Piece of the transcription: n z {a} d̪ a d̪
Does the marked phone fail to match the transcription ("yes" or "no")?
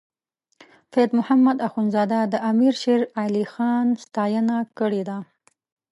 yes